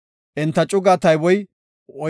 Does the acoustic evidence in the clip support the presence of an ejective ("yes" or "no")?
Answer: yes